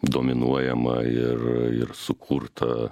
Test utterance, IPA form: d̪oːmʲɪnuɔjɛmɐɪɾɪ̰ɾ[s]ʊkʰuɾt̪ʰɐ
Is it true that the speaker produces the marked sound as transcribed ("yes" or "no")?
yes